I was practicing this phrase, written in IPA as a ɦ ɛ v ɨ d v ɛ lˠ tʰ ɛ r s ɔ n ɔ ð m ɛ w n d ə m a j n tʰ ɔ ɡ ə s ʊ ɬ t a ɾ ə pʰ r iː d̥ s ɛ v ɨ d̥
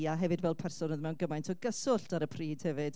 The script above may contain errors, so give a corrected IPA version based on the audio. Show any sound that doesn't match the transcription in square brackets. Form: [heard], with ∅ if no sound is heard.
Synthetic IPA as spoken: a ɦ ɛ v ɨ d v ɛ lˠ [pʰ] ɛ r s ɔ n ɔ ð m ɛ w n [ɡ] ə m a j n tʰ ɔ ɡ ə s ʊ ɬ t a ɾ ə pʰ r iː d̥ [h] ɛ v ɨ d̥